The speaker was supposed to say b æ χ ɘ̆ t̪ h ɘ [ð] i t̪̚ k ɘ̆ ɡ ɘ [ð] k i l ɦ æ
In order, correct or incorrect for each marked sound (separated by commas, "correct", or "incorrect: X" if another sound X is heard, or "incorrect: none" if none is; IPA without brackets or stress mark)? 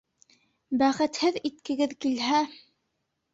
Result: correct, correct